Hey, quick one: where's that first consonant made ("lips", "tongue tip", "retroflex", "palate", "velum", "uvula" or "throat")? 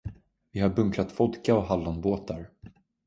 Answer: lips